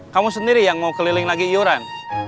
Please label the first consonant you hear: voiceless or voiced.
voiceless